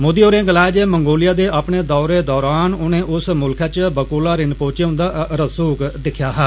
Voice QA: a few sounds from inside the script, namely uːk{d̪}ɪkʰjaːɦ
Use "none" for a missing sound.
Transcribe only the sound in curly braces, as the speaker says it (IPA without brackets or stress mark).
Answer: d̪